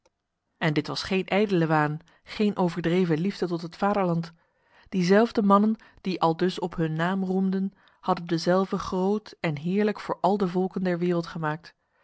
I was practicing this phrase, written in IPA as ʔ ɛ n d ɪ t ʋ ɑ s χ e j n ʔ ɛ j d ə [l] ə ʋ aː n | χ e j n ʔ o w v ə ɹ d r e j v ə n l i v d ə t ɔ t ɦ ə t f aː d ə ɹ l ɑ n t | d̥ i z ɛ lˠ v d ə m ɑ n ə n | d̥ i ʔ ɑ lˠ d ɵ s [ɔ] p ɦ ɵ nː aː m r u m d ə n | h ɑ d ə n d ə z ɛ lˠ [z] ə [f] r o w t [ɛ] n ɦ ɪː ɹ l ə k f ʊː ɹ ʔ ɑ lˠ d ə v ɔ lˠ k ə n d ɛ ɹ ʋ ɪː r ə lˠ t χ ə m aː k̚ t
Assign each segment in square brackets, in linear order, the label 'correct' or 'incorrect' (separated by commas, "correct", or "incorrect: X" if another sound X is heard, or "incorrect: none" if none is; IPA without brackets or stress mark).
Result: correct, correct, incorrect: v, incorrect: χ, correct